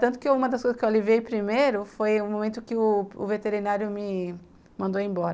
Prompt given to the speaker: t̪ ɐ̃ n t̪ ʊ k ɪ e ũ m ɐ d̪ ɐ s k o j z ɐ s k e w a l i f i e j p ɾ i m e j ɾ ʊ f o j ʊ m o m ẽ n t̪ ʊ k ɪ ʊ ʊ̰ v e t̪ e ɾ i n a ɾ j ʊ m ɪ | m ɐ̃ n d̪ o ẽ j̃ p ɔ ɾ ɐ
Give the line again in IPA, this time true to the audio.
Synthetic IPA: t̪ ɐ̃ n t̪ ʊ k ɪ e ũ m ɐ d̪ ɐ s k o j z ɐ s k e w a l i v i e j p ɾ i m e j ɾ ʊ f o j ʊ m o m ẽ n t̪ ʊ k ɪ ʊ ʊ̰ v e t̪ e ɾ i n a ɾ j ʊ m ɪ | m ɐ̃ n d̪ o ẽ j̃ b ɔ ɾ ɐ